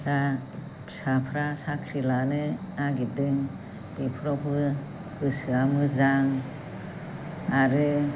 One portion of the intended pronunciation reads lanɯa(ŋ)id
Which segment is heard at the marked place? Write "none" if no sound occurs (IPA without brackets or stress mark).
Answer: ɡ